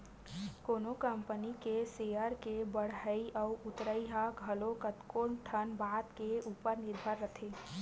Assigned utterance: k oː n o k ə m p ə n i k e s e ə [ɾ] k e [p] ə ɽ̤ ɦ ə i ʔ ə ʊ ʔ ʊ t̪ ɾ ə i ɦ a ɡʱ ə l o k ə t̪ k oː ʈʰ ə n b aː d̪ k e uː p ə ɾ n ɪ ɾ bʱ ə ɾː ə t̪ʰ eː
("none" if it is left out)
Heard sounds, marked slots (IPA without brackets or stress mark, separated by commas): ɾ, b